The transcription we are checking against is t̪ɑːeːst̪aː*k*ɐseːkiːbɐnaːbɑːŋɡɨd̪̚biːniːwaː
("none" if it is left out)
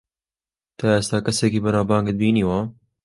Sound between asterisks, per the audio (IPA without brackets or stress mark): k